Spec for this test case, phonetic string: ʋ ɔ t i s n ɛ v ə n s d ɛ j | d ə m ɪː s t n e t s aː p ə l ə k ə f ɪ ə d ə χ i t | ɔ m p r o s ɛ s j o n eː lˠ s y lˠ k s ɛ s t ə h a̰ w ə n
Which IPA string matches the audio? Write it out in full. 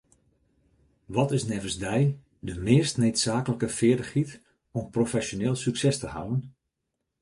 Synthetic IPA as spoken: ʋ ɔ t ɪ s n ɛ v ə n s d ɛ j | d ə m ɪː s t n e t s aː k ə l ə k ə f ɪ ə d ə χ i t | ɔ m p r o f ɛ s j o n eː lˠ s y k s ɛ s t ə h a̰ w ə n